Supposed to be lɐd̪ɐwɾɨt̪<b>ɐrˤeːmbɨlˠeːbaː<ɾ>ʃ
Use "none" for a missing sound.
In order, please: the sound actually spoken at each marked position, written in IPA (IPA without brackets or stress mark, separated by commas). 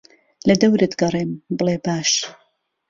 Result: ɡ, none